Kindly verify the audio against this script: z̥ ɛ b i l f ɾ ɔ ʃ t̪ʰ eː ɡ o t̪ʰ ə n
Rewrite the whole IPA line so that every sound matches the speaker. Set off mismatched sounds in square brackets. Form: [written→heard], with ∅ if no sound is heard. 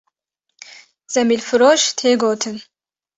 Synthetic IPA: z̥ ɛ [b→m] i l f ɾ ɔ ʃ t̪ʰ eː ɡ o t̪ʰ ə n